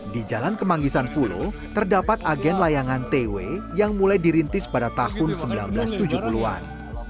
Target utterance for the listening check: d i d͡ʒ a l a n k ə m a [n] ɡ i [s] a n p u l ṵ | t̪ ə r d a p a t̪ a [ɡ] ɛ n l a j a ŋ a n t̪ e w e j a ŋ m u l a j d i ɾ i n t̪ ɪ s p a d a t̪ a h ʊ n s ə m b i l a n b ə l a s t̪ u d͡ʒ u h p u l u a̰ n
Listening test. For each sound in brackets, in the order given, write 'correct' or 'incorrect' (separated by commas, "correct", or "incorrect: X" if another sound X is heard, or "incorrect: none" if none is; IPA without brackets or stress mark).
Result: incorrect: ŋ, correct, correct